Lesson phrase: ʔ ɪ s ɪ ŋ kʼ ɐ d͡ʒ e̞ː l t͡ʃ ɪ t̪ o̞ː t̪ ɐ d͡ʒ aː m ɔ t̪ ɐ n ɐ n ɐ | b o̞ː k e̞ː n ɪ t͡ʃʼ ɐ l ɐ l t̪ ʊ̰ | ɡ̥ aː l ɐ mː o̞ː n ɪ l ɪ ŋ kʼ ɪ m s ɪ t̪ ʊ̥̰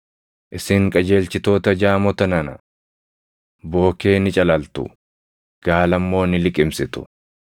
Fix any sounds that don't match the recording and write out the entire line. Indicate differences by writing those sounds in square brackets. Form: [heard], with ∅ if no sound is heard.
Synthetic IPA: ʔ ɪ s ɪ ŋ kʼ ɐ d͡ʒ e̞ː l t͡ʃ ɪ t̪ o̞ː t̪ ɐ d͡ʒ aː m ɔ t̪ ɐ n ɐ n ɐ | b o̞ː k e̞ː n ɪ t͡ʃʼ ɐ l ɐ l t̪ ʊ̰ | ɡ̥ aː l ɐ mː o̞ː n ɪ l ɪ [∅] kʼ ɪ m s ɪ t̪ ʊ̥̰

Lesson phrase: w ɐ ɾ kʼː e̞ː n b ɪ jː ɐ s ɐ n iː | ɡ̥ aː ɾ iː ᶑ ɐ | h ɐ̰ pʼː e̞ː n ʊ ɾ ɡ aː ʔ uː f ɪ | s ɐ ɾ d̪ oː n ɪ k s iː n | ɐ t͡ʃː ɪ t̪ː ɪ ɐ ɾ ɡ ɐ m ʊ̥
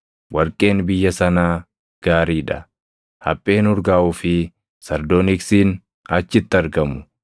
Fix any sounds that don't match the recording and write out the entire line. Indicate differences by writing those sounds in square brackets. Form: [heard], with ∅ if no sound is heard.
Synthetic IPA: w ɐ ɾ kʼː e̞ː n b ɪ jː ɐ s ɐ n [aː] | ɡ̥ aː ɾ iː ᶑ ɐ | h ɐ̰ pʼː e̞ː n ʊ ɾ ɡ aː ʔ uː f ɪ | s ɐ ɾ d̪ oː n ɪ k s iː n | ɐ t͡ʃː ɪ t̪ː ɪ ɐ ɾ ɡ ɐ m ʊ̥

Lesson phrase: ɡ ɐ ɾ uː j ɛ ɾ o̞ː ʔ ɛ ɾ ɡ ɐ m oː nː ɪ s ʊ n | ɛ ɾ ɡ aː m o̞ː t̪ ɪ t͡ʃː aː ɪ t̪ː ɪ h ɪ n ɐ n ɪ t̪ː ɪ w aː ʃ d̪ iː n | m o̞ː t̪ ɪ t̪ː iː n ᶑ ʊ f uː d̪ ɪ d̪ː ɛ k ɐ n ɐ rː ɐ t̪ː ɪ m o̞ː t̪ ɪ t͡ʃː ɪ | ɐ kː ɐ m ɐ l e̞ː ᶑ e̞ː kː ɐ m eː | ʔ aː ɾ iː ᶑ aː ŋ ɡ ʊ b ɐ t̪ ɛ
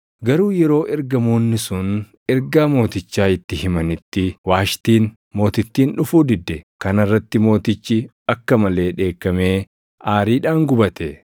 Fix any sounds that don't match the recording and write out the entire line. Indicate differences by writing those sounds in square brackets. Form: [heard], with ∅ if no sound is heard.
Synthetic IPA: ɡ ɐ ɾ uː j ɛ ɾ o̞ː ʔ ɛ ɾ ɡ ɐ m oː nː ɪ s ʊ n | ɛ ɾ ɡ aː m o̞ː t̪ ɪ t͡ʃː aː ɪ t̪ː ɪ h ɪ [m] ɐ n ɪ t̪ː ɪ w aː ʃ [t̪] iː n | m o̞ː t̪ ɪ t̪ː iː n ᶑ ʊ f uː d̪ ɪ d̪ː ɛ k ɐ n ɐ rː ɐ t̪ː ɪ m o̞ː t̪ ɪ t͡ʃː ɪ | ɐ kː ɐ m ɐ l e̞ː ᶑ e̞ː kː ɐ m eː | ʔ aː ɾ iː ᶑ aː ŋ ɡ ʊ b ɐ t̪ ɛ

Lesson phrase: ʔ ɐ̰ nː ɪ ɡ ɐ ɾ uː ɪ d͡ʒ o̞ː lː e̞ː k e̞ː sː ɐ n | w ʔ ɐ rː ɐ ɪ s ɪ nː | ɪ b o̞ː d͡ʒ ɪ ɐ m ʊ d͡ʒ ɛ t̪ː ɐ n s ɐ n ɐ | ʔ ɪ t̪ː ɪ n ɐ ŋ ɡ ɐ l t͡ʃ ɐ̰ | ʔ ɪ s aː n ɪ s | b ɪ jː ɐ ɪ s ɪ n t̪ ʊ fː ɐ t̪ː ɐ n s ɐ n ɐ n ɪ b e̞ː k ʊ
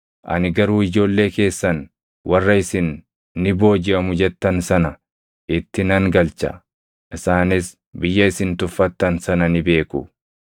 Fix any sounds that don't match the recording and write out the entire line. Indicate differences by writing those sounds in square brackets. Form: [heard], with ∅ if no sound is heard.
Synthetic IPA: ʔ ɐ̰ [n] ɪ ɡ ɐ ɾ uː ɪ d͡ʒ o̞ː lː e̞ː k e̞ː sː ɐ n | w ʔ ɐ rː ɐ ɪ s ɪ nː | ɪ b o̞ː d͡ʒ ɪ ɐ m ʊ d͡ʒ ɛ t̪ː ɐ n s ɐ n ɐ | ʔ ɪ t̪ː ɪ n ɐ ŋ ɡ ɐ l t͡ʃ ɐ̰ | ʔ ɪ s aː n ɪ s | b ɪ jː ɐ ɪ s ɪ n t̪ ʊ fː ɐ t̪ː ɐ n s ɐ n ɐ n ɪ b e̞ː k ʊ

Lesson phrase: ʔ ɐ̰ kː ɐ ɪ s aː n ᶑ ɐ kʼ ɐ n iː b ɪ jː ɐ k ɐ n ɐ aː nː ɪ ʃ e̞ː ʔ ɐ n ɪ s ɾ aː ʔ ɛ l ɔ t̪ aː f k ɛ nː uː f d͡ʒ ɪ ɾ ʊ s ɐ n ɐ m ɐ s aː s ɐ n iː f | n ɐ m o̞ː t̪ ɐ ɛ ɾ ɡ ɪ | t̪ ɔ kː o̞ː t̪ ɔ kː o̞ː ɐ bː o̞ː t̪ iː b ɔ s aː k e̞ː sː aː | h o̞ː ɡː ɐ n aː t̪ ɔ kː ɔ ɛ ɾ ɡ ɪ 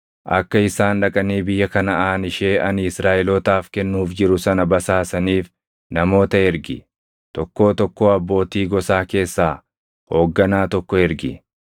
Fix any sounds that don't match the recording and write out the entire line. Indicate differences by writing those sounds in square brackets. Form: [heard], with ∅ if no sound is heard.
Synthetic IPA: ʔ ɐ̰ kː ɐ ɪ s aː n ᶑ ɐ kʼ ɐ n iː b ɪ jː ɐ k ɐ n ɐ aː [n] ɪ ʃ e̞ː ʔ ɐ n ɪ s ɾ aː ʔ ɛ l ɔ t̪ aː f k ɛ nː uː f d͡ʒ ɪ ɾ ʊ s ɐ n ɐ [b] ɐ s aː s ɐ n iː f | n ɐ m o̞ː t̪ ɐ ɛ ɾ ɡ ɪ | t̪ ɔ kː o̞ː t̪ ɔ kː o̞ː ɐ bː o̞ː t̪ iː [ɡ] ɔ s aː k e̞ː sː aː | h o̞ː ɡː ɐ n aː t̪ ɔ kː ɔ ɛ ɾ ɡ ɪ

